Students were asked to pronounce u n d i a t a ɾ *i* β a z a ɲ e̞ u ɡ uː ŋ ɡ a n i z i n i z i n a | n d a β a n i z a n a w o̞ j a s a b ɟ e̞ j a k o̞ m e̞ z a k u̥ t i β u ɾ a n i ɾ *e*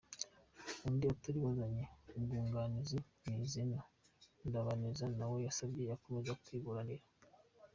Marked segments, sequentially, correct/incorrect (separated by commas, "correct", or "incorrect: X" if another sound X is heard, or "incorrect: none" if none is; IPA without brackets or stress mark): correct, incorrect: a